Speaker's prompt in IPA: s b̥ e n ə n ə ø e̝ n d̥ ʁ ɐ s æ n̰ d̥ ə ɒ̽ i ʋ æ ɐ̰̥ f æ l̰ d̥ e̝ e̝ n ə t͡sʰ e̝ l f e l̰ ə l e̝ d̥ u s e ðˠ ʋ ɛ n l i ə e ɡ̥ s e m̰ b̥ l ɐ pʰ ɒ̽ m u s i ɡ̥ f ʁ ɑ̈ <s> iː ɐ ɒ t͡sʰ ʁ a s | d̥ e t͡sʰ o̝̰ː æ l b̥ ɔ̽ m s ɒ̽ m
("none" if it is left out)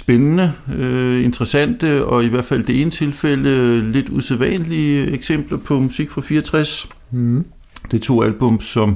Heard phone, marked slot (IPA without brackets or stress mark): f